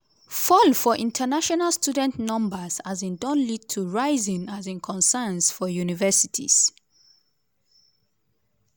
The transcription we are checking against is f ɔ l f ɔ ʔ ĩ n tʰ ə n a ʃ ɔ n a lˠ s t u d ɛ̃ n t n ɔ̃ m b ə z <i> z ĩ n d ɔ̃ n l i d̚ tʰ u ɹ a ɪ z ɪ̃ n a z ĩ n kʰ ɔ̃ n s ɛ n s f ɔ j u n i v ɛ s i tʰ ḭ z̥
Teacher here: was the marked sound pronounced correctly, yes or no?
no